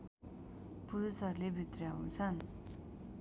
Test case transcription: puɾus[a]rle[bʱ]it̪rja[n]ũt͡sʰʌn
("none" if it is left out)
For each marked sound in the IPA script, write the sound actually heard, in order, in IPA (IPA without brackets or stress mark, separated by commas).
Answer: ʌ, bʱ, none